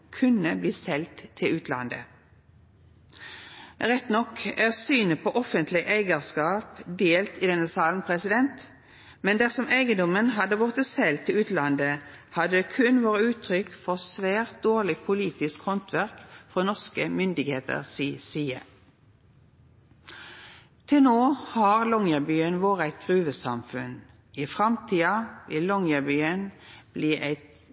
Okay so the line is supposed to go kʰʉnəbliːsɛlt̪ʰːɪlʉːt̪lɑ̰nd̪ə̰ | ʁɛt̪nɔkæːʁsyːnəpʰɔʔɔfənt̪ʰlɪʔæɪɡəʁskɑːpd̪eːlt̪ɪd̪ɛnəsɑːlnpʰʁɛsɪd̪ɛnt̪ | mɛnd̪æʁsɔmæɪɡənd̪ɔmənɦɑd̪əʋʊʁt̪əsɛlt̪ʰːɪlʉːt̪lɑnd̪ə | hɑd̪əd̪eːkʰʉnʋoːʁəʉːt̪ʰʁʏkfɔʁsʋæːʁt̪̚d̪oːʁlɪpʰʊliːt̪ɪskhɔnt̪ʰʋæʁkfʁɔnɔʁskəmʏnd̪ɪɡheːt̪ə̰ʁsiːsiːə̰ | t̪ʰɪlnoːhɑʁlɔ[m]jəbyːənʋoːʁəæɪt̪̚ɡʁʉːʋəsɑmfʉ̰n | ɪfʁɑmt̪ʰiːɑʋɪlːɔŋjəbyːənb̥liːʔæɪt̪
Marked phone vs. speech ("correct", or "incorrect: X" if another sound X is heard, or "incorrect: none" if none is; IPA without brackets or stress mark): incorrect: ŋ